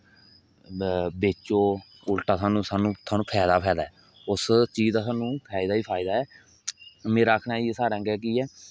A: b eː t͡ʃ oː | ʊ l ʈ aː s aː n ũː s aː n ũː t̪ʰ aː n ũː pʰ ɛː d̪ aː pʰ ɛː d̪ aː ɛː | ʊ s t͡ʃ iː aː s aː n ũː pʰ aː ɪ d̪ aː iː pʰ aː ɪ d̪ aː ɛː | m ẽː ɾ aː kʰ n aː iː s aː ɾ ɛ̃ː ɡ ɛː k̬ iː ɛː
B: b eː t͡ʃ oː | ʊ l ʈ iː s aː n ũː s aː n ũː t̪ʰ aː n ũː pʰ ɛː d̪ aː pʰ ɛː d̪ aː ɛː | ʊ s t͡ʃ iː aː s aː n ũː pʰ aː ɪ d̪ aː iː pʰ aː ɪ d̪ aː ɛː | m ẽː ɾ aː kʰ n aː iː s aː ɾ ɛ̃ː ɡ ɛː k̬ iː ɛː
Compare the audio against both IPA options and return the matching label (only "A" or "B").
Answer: A